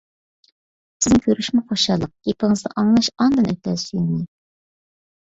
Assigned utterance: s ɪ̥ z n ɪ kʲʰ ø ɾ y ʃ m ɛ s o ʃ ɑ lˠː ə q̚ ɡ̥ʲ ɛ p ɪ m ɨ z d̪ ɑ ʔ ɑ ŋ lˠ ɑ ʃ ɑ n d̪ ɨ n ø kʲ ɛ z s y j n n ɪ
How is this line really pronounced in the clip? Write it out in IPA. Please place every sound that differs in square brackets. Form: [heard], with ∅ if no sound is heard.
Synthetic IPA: s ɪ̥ z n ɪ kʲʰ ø ɾ y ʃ m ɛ [χ] o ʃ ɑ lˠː ə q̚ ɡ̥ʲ [e] p ɪ [ŋ] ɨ z d̪ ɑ ʔ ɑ ŋ lˠ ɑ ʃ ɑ n d̪ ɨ n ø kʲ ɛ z s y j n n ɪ